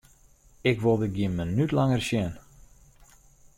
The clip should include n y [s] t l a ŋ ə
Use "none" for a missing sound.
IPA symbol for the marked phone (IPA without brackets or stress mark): none